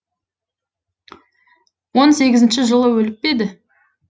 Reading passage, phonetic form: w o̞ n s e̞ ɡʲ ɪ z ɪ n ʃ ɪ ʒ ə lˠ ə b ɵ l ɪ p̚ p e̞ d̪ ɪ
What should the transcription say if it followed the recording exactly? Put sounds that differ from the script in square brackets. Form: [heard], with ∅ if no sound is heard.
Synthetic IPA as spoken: w o̞ n s e̞ ɡʲ ɪ z ɪ n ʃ ɪ ʒ ə lˠ ə [w] ɵ l ɪ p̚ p e̞ d̪ ɪ